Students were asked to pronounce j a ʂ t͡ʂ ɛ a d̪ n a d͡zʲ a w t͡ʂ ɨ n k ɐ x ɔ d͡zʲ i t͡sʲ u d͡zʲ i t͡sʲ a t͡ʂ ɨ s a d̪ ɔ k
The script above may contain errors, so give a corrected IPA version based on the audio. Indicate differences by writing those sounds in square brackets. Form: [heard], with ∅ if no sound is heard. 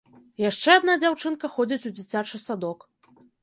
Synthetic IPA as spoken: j a ʂ t͡ʂ ɛ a d̪ n a d͡zʲ a w t͡ʂ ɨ n k ɐ x ɔ d͡zʲ i t͡sʲ u d͡zʲ i t͡sʲ a t͡ʂ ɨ s a d̪ ɔ k